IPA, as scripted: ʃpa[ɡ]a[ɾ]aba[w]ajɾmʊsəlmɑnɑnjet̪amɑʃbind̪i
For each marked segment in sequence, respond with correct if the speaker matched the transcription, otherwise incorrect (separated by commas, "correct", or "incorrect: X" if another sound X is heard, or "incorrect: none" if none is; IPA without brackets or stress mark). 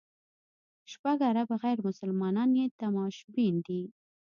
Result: correct, correct, incorrect: ɣ